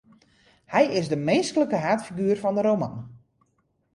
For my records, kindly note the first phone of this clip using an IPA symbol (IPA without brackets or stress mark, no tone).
h